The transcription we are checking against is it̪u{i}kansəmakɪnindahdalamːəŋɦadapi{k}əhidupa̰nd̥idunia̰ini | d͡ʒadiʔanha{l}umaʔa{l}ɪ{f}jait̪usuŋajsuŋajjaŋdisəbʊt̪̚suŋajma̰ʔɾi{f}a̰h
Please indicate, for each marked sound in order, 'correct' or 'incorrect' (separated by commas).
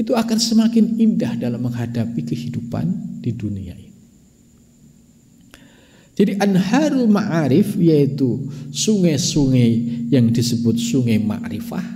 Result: incorrect, correct, incorrect, incorrect, correct, correct